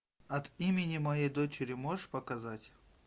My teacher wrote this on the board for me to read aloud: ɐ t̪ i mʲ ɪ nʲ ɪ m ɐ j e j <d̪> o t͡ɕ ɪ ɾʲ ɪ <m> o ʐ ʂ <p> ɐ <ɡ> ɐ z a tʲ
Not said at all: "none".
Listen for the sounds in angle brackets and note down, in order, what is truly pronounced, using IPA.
d̪, m, p, k

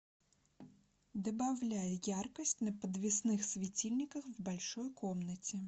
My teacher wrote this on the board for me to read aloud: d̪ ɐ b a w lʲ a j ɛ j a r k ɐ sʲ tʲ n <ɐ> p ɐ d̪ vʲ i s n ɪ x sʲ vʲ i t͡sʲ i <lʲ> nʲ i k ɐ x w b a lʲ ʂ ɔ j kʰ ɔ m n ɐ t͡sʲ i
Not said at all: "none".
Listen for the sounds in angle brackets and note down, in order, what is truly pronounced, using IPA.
ɐ, lʲ

